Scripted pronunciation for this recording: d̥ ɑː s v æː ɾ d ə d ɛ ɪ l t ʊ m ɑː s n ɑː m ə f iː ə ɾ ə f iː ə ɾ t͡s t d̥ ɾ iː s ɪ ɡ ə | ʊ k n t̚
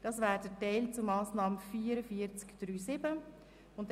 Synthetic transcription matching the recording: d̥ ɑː s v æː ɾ d ə t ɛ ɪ l t͡s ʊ m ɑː s n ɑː m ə f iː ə ɾ ə f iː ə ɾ t͡s k d̥ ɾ yː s ɪ b ə | ʊ n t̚